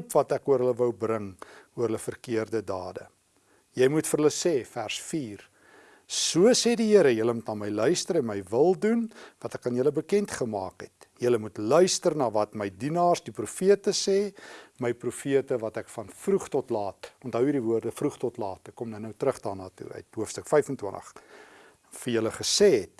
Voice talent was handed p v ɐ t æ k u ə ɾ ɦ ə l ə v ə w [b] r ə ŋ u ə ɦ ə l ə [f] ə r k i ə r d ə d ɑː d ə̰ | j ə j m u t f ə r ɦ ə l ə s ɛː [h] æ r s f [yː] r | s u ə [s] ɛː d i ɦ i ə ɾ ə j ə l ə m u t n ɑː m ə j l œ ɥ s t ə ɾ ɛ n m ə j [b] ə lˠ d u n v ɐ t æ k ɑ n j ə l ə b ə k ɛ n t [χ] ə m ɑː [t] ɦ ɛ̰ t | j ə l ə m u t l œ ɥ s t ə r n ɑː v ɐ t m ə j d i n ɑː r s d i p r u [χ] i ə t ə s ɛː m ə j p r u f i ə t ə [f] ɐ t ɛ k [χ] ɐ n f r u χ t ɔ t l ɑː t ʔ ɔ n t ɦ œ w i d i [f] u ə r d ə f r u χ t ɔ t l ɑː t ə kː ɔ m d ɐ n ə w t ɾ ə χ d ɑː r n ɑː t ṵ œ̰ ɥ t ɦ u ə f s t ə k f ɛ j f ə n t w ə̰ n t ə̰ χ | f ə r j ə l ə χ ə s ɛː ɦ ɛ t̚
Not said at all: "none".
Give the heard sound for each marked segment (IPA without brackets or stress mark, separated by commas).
b, f, f, iː, s, v, χ, k, f, v, f, v